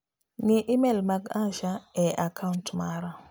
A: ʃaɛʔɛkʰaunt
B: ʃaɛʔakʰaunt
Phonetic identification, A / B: B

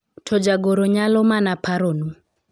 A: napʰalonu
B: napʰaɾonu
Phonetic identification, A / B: B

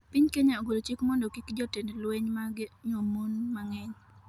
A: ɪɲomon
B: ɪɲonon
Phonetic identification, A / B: A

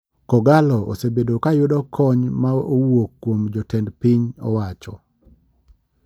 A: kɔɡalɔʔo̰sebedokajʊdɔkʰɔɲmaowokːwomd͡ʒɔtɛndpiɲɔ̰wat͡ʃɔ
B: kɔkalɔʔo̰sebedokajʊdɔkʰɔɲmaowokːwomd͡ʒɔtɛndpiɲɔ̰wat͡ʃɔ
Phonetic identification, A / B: A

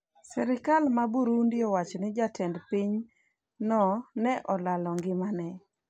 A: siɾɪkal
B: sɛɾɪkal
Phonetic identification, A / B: B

